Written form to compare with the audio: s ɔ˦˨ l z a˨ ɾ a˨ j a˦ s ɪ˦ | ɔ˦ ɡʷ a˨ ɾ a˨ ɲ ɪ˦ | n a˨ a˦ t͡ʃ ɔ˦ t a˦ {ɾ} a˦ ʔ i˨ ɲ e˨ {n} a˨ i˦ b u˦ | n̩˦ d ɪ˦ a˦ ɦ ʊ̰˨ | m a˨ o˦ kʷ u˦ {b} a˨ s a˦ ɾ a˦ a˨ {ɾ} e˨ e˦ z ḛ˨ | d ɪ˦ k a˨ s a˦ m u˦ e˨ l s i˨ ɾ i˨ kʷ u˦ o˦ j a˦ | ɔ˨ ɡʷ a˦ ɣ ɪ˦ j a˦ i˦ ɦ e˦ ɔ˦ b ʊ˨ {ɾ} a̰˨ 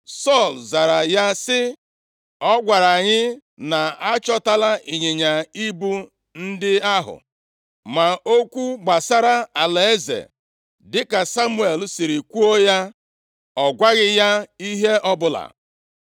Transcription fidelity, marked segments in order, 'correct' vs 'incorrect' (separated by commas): incorrect, incorrect, incorrect, incorrect, incorrect